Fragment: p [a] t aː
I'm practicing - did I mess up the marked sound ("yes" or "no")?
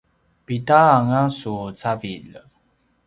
yes